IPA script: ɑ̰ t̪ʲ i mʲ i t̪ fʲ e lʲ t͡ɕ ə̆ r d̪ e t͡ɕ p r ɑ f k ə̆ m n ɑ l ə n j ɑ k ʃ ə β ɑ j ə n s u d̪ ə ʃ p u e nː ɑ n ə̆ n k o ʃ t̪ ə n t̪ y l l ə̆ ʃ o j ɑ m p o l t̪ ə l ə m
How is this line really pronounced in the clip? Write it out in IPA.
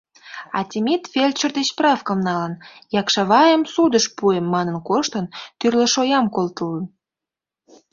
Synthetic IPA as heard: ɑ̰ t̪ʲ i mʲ i t̪ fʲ e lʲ t͡ɕ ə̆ r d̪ e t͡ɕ p r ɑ f k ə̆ m n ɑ l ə n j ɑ k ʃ ɑ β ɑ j ə m s u d̪ ə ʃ p u e mː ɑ n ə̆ n k o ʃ t̪ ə n t̪ y r l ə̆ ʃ o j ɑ m k o l t̪ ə l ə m